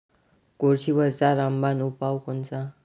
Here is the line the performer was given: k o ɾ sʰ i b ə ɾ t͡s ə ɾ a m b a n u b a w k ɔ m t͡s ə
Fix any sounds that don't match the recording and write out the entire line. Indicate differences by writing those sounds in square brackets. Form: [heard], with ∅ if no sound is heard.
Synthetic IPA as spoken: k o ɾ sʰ i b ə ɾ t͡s [a] ɾ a m b a n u [p] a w k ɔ [n] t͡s [a]